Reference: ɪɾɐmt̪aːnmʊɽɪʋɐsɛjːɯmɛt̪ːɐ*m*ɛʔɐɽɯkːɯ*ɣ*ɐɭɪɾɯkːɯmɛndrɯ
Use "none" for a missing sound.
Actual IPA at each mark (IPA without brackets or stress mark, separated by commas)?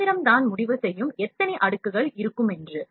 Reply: n, ɣ